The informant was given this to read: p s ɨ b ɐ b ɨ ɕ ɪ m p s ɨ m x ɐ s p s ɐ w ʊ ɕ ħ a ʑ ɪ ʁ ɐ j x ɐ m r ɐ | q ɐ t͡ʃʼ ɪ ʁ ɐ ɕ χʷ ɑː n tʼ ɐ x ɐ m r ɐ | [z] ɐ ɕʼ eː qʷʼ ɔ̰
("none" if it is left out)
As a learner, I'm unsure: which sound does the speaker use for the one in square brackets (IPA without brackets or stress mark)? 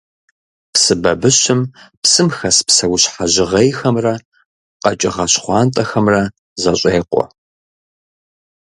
z